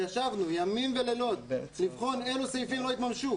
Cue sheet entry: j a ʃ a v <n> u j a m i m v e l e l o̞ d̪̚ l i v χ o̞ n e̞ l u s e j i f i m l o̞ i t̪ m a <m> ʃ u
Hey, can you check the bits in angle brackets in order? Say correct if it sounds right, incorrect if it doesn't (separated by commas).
correct, correct